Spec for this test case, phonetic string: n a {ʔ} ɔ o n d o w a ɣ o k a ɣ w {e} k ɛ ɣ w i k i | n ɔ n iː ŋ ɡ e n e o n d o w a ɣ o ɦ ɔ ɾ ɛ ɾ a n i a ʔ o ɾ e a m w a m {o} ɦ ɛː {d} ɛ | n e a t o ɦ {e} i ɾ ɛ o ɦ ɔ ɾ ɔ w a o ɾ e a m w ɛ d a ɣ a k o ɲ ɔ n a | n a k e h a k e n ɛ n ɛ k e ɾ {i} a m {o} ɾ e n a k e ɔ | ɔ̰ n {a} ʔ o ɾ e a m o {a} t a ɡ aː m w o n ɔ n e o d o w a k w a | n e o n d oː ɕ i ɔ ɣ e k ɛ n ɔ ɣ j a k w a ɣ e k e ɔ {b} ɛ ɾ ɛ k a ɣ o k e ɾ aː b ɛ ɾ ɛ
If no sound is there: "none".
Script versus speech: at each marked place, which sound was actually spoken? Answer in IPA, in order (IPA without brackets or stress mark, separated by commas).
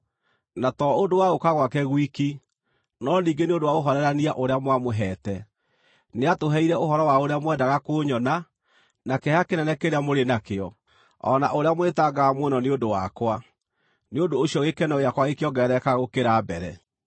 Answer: t, a, o, t, ɛ, e, o, a, e, ɡ